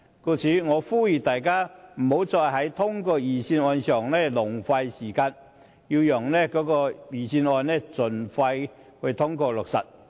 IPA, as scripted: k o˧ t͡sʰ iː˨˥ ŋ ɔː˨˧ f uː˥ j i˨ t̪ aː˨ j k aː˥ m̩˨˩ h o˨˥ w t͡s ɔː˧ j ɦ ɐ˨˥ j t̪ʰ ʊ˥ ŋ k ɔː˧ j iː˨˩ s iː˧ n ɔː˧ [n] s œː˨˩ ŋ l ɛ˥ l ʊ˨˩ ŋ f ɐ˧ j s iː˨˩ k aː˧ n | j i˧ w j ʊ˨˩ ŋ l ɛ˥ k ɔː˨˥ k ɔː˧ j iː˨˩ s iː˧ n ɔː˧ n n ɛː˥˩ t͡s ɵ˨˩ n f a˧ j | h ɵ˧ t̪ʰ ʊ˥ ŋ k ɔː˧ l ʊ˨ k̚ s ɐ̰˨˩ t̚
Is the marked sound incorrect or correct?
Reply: correct